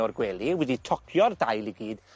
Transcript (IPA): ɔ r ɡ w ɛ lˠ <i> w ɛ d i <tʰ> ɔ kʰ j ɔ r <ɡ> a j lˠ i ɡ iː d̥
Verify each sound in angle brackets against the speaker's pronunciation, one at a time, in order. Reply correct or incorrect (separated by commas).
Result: correct, correct, incorrect